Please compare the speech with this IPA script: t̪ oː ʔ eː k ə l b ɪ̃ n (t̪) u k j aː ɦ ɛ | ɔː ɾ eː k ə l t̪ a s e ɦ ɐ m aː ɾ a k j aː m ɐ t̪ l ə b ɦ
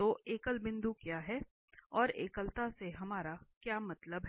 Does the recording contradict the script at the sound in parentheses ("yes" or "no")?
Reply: yes